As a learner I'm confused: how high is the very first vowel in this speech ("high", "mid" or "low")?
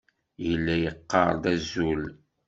mid